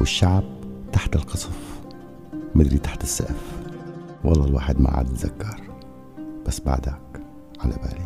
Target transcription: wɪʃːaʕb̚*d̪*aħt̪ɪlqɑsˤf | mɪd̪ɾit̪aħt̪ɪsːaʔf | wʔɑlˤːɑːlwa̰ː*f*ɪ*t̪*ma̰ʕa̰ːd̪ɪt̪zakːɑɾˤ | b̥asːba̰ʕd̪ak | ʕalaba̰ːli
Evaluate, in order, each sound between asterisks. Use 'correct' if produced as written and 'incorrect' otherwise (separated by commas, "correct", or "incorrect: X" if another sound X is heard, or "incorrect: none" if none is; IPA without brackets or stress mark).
incorrect: t̪, incorrect: ħ, incorrect: d̪